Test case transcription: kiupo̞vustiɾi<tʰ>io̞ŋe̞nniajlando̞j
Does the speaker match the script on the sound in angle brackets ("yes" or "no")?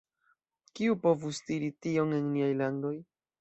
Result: no